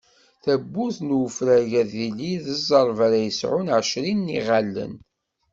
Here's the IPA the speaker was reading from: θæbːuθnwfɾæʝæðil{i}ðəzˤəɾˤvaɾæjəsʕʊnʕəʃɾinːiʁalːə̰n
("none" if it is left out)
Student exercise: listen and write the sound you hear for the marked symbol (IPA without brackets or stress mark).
i